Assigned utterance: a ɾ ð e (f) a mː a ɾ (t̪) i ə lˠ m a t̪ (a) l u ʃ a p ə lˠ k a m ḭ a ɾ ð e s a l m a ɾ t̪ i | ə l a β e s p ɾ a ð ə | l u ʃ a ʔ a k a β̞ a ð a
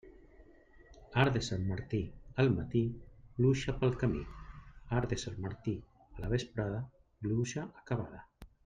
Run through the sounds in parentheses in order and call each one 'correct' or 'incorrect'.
incorrect, correct, incorrect

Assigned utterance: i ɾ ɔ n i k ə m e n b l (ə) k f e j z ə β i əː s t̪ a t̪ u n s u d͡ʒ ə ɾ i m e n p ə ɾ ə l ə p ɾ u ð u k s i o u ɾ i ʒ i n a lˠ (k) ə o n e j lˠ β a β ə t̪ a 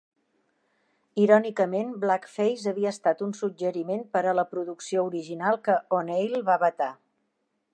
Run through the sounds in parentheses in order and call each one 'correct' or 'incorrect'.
incorrect, correct

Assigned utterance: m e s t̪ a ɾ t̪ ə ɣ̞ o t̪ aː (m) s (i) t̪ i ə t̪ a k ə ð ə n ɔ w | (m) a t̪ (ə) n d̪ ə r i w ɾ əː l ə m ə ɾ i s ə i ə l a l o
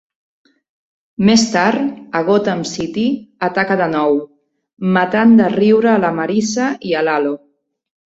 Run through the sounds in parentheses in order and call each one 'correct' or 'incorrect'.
correct, correct, correct, incorrect

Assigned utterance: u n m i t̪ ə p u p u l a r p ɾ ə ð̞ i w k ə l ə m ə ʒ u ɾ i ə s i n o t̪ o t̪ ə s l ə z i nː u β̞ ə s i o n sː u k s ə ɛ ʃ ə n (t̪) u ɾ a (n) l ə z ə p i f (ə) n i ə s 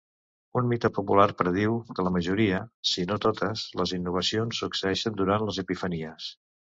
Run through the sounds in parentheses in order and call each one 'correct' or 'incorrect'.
incorrect, correct, correct

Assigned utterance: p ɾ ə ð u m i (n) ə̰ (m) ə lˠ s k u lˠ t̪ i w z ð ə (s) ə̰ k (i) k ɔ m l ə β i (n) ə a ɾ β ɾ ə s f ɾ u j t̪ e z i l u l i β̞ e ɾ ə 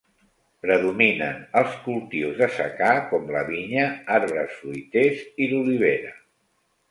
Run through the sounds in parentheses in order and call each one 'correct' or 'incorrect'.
correct, incorrect, correct, incorrect, incorrect

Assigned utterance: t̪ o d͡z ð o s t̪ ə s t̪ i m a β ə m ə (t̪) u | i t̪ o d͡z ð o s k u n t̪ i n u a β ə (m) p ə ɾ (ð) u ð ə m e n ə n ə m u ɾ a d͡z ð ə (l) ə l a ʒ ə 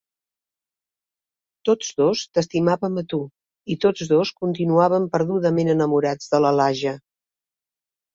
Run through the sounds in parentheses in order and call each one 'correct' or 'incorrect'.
correct, correct, correct, correct

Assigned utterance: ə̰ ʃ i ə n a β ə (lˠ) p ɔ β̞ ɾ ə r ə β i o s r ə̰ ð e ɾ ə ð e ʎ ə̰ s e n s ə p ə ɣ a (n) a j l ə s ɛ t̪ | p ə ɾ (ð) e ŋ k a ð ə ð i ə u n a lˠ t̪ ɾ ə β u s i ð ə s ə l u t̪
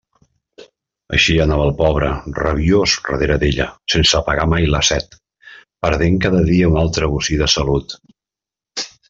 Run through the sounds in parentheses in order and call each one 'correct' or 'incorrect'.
correct, incorrect, correct

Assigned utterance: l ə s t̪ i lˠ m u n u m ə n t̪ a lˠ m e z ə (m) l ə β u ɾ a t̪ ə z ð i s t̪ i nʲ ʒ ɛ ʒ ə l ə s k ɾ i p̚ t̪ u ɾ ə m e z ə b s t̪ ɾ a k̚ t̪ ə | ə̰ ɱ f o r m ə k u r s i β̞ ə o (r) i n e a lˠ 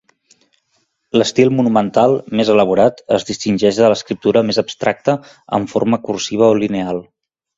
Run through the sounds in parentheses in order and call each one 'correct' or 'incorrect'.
incorrect, incorrect

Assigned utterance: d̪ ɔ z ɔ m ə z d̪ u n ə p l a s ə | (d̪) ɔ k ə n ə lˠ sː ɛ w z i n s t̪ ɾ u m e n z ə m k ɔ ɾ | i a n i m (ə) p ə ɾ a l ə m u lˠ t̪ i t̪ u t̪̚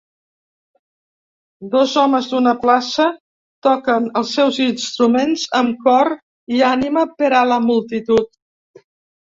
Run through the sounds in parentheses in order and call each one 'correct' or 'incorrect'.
incorrect, correct

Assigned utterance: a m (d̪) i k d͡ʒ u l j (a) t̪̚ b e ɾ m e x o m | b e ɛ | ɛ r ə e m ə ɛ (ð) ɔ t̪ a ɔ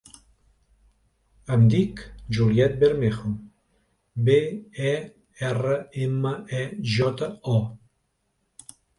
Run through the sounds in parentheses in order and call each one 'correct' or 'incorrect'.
correct, incorrect, incorrect

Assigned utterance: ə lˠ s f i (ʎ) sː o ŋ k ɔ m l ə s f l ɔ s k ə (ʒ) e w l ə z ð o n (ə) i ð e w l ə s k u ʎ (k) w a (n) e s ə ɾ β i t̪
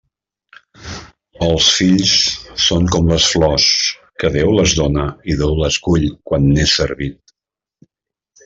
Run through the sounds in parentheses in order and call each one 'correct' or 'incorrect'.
correct, incorrect, correct, correct, incorrect

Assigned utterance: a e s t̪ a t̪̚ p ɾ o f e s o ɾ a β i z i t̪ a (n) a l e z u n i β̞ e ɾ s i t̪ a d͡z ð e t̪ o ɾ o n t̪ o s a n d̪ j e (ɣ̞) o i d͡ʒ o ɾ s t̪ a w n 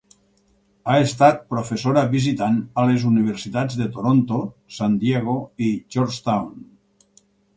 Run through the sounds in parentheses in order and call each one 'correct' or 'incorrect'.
correct, correct

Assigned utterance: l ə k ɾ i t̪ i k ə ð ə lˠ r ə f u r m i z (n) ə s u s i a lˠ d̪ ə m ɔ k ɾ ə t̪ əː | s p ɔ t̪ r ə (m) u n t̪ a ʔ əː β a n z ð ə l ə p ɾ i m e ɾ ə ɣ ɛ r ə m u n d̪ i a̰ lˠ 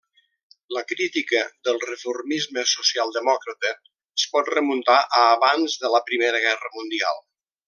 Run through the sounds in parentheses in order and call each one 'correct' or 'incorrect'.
incorrect, correct

